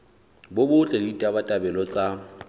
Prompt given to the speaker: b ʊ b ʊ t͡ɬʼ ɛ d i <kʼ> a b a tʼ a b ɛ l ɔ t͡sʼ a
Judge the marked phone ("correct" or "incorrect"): incorrect